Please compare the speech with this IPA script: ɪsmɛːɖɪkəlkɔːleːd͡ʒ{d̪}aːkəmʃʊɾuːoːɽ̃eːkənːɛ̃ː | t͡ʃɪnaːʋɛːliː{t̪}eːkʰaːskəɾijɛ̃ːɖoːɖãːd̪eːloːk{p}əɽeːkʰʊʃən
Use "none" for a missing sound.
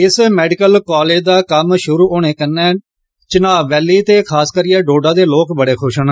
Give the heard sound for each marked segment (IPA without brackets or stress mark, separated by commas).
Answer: d̪, t̪, b